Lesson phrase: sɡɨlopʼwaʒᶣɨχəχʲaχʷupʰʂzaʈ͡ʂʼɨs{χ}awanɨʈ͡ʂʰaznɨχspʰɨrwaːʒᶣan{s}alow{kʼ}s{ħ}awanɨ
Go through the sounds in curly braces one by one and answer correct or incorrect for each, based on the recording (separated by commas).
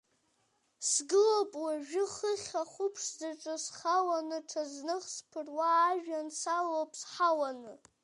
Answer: correct, correct, incorrect, correct